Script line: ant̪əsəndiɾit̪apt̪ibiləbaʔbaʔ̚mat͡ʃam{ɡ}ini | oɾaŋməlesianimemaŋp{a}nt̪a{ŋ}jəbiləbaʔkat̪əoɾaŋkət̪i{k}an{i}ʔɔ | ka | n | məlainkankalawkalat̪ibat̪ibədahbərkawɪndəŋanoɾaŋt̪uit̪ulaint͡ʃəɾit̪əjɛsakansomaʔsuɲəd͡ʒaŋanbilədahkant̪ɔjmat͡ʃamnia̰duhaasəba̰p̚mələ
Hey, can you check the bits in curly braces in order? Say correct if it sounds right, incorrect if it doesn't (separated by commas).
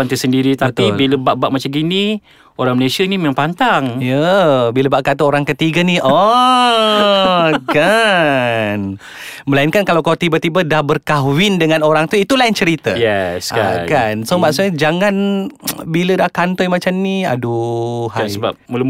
correct, correct, correct, incorrect, correct